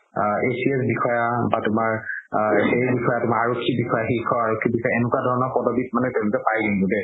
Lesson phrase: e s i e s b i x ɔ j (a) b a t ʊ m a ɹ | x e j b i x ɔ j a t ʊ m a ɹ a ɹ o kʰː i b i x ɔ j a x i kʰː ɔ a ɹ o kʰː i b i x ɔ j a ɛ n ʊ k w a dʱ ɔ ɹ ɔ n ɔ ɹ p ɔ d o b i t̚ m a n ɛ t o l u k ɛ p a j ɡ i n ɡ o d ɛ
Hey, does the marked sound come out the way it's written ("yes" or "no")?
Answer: yes